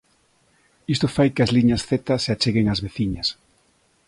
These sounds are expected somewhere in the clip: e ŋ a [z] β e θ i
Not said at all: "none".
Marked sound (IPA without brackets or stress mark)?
z